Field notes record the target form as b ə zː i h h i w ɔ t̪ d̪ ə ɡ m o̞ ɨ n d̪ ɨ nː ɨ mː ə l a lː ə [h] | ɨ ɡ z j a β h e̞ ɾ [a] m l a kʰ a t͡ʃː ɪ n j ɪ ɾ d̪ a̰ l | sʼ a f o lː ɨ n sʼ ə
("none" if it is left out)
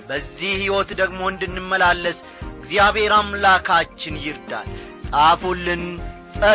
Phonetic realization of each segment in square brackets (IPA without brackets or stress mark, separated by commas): s, a